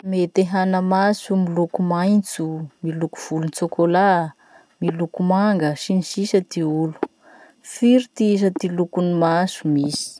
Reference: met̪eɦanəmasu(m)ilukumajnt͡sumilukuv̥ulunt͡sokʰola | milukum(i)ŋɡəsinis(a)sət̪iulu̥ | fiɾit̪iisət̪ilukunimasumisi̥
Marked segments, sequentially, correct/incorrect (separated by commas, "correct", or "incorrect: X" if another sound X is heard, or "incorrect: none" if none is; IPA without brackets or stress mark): correct, incorrect: a, incorrect: i